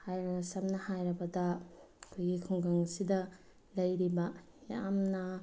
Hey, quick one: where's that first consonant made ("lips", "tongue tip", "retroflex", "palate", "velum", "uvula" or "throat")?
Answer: throat